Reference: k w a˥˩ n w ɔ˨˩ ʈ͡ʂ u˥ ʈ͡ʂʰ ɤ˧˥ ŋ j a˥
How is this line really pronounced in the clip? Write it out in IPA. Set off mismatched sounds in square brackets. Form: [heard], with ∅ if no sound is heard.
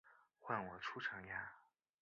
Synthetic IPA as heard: [x] w a˥˩ n w ɔ˨˩ [ʈ͡ʂʰ] u˥ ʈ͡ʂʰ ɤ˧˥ ŋ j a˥